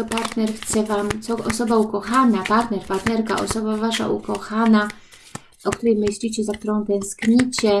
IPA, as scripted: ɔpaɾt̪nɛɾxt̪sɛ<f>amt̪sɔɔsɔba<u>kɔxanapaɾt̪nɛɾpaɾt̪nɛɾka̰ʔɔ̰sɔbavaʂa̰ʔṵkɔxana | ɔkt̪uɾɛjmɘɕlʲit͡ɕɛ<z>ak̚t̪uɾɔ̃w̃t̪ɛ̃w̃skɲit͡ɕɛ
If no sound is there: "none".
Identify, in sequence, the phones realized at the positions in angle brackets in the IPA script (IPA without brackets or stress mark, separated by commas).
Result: v, u, z